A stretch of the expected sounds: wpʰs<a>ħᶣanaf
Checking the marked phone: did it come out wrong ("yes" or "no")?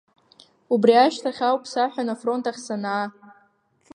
no